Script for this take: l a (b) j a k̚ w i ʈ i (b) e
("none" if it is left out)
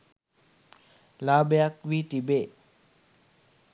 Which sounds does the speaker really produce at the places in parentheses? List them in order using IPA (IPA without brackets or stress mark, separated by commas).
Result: b, b